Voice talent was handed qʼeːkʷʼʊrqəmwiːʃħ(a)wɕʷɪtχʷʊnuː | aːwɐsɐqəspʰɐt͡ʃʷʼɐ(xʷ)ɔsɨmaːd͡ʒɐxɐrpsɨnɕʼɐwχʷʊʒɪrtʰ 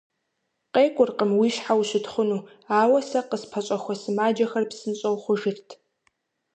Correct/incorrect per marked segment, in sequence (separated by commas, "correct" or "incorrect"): correct, correct